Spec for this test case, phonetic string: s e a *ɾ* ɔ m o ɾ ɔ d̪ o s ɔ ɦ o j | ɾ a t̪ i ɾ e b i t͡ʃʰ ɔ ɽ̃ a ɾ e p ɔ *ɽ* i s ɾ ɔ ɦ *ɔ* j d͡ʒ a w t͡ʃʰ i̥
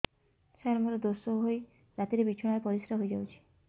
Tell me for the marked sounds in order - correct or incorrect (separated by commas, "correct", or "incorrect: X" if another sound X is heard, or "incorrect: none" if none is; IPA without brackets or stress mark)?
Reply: correct, incorrect: ɾ, incorrect: o